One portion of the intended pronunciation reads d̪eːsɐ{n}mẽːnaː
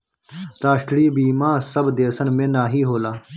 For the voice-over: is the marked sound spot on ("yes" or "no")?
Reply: yes